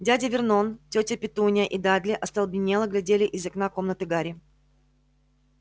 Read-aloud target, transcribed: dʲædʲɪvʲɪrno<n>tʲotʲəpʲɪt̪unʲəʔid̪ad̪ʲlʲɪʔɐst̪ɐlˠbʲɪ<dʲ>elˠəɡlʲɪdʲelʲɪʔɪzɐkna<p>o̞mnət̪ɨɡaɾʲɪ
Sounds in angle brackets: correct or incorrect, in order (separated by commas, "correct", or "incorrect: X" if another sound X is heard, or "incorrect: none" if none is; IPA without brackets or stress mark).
correct, incorrect: nʲ, incorrect: k